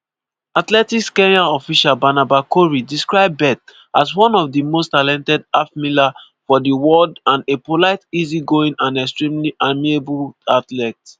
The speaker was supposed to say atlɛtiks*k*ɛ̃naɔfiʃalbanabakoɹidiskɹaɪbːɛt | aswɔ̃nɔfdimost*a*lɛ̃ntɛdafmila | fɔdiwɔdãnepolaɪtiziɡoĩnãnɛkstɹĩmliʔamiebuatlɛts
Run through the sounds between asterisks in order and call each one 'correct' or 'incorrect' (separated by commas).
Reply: correct, correct